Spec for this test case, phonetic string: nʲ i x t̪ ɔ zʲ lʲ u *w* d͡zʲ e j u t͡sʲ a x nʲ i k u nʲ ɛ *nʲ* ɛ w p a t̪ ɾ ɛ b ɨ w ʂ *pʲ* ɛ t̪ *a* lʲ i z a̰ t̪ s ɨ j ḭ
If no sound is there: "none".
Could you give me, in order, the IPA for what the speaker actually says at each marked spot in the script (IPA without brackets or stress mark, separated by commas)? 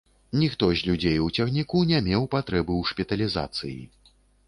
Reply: none, mʲ, pʲ, ɐ